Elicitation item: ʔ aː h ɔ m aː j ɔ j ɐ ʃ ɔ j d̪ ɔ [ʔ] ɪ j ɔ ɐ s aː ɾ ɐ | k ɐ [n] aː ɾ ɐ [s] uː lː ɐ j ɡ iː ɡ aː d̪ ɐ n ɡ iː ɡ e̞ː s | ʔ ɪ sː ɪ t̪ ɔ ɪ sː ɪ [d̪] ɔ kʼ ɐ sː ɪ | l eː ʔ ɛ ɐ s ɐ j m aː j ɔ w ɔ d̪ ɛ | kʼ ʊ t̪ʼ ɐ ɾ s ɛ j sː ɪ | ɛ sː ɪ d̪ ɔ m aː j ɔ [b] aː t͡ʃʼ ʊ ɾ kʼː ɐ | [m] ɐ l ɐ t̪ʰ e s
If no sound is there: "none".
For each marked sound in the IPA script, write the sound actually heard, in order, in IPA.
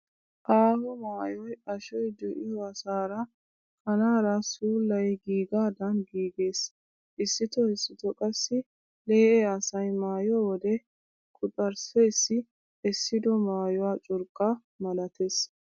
ʔ, n, s, t̪, w, m

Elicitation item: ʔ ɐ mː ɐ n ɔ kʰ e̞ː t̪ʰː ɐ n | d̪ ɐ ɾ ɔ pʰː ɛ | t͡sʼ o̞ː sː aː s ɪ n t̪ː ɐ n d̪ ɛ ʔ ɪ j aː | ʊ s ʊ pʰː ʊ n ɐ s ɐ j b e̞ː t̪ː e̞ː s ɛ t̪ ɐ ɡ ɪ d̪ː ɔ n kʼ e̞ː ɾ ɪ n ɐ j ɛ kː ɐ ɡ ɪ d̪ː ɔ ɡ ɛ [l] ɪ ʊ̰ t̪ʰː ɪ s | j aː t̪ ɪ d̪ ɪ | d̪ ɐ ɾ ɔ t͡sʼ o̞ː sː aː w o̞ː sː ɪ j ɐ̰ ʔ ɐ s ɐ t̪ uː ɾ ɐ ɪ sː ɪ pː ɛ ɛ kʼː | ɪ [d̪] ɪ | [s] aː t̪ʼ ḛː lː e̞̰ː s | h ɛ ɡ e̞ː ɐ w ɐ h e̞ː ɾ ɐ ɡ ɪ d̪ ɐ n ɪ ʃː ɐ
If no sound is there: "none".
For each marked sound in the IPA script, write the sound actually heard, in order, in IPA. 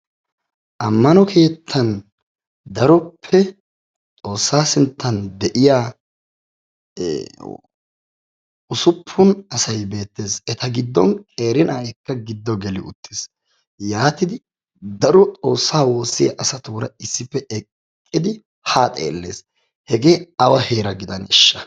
l, d̪, h

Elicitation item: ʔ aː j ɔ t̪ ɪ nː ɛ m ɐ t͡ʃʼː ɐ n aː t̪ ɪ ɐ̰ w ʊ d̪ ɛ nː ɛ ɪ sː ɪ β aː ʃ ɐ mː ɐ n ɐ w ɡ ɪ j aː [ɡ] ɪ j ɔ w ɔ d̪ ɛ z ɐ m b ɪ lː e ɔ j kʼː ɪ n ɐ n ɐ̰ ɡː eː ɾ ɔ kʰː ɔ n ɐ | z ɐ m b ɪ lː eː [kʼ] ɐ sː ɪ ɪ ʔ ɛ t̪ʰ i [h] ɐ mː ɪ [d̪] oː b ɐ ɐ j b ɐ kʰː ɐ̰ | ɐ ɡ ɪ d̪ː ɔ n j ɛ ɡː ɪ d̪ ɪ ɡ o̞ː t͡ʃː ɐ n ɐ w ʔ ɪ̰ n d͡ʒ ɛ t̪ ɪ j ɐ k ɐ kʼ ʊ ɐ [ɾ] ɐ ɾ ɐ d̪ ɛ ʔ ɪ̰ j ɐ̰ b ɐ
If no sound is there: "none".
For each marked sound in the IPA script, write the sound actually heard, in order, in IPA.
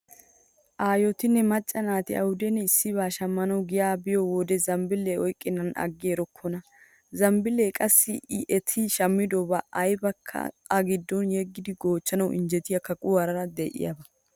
b, kʼ, ʃ, d̪, ɾ

